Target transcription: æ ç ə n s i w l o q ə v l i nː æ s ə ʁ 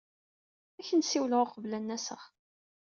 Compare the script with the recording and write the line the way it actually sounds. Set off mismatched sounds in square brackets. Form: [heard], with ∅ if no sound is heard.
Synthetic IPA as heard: æ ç ə n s i w l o q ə v l [æ] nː æ s ə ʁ